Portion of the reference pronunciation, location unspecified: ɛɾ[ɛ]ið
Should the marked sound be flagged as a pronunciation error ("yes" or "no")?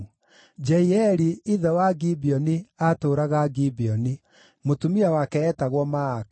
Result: yes